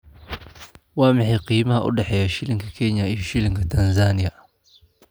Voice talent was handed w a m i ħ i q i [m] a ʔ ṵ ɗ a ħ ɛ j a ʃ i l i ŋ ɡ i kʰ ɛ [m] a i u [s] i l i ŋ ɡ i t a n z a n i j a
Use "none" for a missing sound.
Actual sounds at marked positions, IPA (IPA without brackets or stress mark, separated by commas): m, ɲ, ʃ